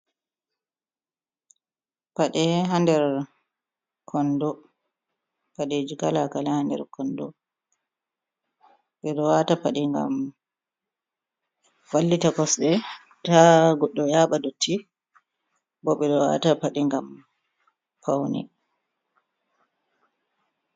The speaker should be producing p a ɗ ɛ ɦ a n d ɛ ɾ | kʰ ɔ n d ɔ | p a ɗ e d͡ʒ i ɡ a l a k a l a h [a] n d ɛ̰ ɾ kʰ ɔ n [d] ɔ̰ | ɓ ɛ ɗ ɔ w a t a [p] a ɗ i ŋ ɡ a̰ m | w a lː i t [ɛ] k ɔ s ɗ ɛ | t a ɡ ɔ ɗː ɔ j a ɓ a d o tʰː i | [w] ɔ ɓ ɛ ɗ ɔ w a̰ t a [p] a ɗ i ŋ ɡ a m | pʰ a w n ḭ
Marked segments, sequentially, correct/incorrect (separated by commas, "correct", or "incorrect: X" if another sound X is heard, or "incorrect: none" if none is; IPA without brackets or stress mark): correct, correct, correct, incorrect: a, incorrect: b, correct